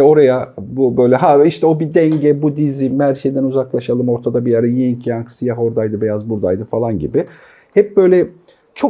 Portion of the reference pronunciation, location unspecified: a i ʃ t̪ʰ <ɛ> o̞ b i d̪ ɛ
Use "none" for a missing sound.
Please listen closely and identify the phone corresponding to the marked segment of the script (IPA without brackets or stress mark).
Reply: ɛ